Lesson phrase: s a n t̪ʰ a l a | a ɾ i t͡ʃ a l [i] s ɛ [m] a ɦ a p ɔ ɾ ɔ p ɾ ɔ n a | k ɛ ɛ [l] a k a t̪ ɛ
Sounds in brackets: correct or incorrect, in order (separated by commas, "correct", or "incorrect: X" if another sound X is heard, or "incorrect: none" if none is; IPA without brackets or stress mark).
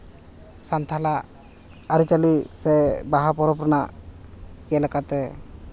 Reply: correct, incorrect: b, correct